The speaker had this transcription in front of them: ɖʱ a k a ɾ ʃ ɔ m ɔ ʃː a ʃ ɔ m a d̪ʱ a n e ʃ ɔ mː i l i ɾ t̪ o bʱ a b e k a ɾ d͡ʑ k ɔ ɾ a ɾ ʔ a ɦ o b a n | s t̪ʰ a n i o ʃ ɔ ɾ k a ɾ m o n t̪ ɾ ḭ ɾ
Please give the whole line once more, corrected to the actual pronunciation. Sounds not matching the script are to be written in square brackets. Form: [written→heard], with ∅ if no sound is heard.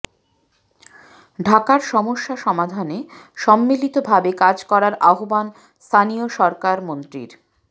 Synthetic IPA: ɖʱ a k a ɾ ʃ ɔ m [ɔ→o] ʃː a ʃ ɔ m a d̪ʱ a n e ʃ ɔ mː i l i [ɾ→∅] t̪ o bʱ a b e k a [ɾ→∅] d͡ʑ k ɔ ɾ a ɾ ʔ a ɦ o b a n | s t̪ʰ a n i o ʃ ɔ ɾ k a ɾ m o n t̪ ɾ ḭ ɾ